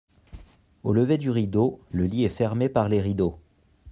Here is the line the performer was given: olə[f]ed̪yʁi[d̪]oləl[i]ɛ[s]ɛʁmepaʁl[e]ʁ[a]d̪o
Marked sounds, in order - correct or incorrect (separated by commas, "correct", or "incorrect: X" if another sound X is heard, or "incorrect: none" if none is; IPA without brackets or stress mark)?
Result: incorrect: v, correct, correct, incorrect: f, correct, incorrect: i